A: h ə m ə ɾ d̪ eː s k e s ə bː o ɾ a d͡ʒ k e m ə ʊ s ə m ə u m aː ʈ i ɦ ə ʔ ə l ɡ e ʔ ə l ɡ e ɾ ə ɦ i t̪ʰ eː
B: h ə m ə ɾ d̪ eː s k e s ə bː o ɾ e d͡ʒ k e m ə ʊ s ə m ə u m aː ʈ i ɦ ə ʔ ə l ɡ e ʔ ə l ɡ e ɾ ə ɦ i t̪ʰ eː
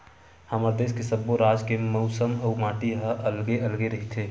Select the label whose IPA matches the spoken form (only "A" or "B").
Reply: A